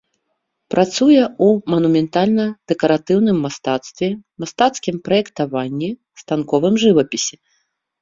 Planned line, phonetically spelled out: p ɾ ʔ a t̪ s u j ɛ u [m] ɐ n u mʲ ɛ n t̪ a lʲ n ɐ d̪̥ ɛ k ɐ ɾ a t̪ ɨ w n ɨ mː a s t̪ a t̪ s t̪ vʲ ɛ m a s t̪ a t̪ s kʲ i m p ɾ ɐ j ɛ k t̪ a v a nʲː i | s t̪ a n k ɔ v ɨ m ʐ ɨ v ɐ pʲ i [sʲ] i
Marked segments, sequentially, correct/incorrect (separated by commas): correct, correct